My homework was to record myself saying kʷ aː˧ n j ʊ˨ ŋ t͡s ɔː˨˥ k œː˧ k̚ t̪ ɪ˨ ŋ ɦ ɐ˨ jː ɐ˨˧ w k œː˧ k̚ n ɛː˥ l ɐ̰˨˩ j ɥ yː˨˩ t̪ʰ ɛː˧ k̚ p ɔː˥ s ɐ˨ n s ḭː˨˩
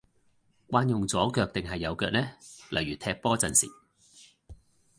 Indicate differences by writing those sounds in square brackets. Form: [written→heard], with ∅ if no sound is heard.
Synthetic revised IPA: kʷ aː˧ n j ʊ˨ ŋ t͡s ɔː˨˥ k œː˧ k̚ t̪ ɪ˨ ŋ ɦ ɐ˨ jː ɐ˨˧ w k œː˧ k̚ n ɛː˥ l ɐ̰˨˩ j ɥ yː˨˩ t̪ʰ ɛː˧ k̚ p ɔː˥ [s→t͡s] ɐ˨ n s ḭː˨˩